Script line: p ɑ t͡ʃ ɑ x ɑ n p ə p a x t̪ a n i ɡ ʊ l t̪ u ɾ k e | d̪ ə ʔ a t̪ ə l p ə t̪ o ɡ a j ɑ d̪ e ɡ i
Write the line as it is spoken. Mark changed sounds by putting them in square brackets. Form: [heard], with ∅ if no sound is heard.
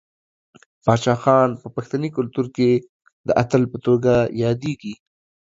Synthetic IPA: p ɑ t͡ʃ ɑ x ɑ n p ə p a x t̪ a n i [k] ʊ l t̪ u ɾ k e | d̪ ə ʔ a t̪ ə l p ə t̪ o ɡ a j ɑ d̪ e ɡ i